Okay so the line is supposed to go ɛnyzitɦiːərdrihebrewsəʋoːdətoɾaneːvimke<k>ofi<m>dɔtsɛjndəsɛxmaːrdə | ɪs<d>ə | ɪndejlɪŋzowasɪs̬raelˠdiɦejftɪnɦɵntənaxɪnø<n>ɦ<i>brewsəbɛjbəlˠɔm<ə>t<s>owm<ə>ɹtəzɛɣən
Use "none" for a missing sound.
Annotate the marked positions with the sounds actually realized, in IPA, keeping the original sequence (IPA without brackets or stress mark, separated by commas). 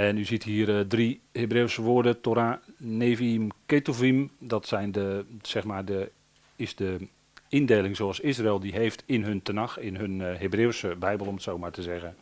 t, m, d, n, e, ə, s, a